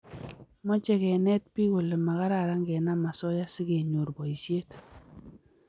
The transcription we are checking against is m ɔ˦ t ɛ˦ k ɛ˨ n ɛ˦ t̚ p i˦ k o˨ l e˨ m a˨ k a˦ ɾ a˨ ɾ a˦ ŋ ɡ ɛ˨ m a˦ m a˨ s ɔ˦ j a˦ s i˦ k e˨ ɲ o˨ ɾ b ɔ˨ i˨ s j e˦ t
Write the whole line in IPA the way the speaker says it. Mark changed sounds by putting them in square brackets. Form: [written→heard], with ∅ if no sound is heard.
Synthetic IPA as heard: m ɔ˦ [t→t͡ʃ] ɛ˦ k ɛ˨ n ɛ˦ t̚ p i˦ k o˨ l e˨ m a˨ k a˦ ɾ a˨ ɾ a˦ ŋ ɡ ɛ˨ [m→n] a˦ m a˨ s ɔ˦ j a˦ s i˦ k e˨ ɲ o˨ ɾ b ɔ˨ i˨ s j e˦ t